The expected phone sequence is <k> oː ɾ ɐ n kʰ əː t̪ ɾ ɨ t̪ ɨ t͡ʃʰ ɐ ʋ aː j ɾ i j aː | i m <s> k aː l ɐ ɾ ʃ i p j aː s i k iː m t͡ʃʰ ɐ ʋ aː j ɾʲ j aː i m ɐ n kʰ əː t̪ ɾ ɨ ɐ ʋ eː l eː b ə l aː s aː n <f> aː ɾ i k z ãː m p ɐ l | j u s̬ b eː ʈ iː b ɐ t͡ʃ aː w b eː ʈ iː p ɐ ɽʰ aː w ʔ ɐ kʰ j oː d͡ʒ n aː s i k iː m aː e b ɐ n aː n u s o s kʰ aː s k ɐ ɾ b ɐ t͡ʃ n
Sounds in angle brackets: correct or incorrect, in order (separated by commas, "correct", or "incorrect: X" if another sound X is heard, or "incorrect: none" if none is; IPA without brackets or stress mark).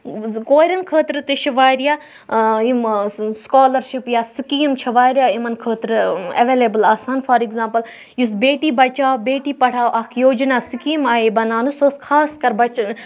correct, correct, correct